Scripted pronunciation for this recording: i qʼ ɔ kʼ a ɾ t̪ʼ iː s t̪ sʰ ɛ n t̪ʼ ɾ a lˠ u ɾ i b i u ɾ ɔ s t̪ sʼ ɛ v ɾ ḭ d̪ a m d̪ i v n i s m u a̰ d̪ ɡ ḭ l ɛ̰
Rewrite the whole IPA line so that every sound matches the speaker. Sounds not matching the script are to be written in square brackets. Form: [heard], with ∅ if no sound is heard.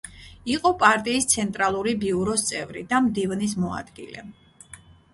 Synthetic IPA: i qʼ ɔ [pʼ] a ɾ t̪ʼ iː s t̪ sʰ ɛ n t̪ʼ ɾ a lˠ u ɾ i b i u ɾ ɔ s t̪ sʼ ɛ v ɾ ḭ d̪ a m d̪ i v n i s m [ɔ] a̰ d̪ ɡ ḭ l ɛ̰